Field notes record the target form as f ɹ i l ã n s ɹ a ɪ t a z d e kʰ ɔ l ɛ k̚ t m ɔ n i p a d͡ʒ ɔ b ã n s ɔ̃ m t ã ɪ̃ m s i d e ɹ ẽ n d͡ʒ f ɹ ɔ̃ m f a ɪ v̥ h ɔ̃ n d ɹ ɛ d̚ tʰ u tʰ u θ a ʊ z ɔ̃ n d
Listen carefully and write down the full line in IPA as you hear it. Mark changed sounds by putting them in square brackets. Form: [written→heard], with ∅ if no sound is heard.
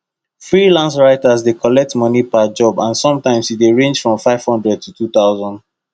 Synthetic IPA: f ɹ i l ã n s ɹ a ɪ t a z d e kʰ ɔ l ɛ k̚ t m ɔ n i p a d͡ʒ ɔ b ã n s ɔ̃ m t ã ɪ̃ m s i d e ɹ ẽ n d͡ʒ f ɹ ɔ̃ m f a ɪ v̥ h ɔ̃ n d ɹ ɛ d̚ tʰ u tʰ u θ a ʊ z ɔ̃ n d